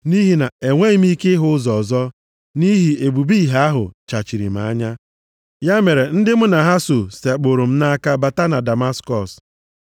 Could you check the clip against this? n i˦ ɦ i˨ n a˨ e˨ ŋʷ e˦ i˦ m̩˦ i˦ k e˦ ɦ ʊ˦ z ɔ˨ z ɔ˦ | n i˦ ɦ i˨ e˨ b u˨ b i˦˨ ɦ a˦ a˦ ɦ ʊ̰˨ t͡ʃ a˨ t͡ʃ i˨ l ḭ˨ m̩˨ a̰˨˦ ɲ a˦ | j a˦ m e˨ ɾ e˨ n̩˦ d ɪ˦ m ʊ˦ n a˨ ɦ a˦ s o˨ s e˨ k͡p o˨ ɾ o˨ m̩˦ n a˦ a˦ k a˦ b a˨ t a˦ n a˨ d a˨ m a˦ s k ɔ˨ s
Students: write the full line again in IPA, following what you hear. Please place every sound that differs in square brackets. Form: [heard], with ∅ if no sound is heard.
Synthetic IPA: n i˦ ɦ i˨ n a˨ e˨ ŋʷ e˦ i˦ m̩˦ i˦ k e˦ ɦ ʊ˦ z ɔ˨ z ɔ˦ | n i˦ ɦ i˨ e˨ b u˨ b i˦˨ ɦ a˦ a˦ ɦ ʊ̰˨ t͡ʃ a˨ t͡ʃ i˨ [ɾ] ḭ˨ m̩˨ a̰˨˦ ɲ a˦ | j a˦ m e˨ ɾ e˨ n̩˦ d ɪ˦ m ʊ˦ n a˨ ɦ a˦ s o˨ s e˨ k͡p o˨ ɾ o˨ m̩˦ n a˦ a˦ k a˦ b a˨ t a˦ n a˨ d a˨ m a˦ s k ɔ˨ s